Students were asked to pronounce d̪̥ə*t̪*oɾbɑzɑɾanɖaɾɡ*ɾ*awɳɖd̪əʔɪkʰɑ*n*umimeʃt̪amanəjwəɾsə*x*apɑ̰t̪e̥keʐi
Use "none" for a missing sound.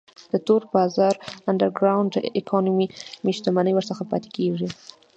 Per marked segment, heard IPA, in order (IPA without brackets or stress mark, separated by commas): t̪, ɾ, n, x